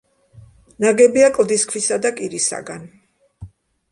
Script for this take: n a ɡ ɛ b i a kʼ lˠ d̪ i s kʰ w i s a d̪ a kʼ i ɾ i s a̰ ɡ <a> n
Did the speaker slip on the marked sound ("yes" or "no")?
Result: no